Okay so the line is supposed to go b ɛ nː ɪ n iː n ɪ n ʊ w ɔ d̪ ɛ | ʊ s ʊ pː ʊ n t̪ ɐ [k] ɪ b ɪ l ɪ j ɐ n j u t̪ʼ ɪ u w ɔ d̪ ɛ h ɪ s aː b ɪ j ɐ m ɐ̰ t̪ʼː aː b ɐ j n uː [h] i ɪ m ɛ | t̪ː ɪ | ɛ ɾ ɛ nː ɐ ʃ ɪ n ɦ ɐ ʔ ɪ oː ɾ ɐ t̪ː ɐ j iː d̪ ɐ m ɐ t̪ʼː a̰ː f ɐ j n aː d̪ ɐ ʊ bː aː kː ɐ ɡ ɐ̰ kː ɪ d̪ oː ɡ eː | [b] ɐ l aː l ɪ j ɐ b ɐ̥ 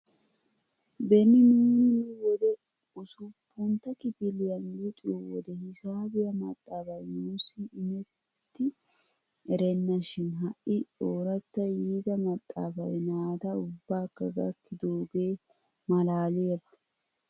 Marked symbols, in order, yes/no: yes, no, no

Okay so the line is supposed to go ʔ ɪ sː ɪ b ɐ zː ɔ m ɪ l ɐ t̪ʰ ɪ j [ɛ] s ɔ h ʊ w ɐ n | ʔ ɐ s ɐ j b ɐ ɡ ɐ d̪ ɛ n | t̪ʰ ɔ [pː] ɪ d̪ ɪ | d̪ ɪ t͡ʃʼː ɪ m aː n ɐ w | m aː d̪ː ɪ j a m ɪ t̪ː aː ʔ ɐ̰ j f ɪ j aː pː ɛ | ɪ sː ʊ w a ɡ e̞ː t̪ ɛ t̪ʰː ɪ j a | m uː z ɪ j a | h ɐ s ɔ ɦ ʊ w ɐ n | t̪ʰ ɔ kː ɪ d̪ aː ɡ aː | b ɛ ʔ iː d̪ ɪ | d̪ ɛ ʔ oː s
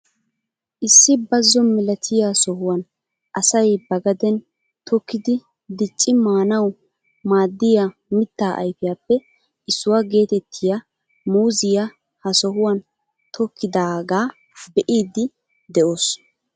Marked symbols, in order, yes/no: no, no

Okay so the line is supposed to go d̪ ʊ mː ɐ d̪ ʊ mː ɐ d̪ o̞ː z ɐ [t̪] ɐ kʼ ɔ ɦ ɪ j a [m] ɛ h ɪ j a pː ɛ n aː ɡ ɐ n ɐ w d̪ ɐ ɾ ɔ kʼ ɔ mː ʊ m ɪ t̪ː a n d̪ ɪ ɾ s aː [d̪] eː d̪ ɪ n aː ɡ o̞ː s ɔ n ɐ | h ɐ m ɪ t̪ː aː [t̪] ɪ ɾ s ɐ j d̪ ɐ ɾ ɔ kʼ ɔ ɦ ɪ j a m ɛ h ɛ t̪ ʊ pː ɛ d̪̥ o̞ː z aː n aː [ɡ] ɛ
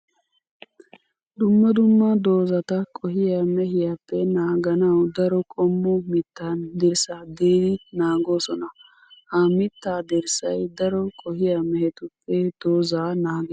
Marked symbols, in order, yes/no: yes, yes, yes, no, yes

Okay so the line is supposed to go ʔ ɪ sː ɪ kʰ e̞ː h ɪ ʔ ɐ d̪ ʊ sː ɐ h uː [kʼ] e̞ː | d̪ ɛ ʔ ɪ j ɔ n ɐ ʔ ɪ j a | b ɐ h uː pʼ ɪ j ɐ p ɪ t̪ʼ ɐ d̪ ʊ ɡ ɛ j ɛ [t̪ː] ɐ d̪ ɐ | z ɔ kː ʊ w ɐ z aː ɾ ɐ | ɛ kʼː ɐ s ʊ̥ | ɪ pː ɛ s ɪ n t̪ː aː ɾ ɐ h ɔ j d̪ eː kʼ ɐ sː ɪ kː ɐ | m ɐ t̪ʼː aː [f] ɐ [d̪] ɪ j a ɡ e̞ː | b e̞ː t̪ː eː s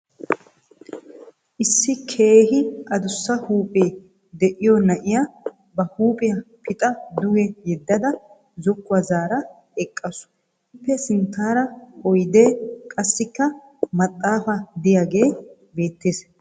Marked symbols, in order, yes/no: no, no, yes, yes

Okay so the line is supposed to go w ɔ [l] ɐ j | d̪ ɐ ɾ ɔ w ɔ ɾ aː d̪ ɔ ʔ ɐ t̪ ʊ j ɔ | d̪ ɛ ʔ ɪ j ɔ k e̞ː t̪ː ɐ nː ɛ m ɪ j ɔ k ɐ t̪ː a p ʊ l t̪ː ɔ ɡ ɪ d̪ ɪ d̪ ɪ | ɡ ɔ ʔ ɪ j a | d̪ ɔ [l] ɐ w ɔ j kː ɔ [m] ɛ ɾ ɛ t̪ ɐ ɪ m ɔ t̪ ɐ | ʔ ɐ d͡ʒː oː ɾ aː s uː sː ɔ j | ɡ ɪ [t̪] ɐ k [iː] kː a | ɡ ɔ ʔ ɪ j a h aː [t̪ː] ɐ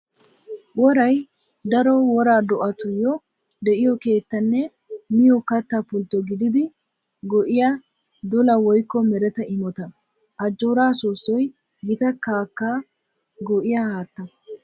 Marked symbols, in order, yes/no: no, yes, yes, yes, no, yes

